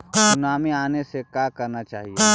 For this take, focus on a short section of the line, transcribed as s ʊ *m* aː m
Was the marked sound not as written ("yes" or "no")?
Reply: yes